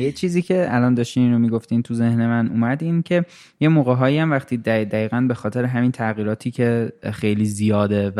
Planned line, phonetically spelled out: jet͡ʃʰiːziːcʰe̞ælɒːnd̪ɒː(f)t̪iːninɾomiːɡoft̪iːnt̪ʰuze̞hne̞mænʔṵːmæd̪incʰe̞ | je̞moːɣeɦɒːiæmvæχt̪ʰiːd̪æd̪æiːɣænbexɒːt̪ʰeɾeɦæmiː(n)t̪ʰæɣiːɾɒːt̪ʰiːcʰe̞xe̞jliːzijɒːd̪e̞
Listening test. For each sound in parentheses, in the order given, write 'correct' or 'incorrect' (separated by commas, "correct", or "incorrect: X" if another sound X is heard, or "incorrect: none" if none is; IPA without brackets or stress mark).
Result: incorrect: ʃ, correct